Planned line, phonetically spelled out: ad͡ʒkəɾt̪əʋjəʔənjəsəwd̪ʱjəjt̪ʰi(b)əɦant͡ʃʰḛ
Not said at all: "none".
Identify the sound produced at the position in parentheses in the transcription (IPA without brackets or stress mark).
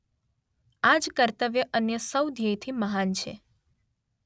m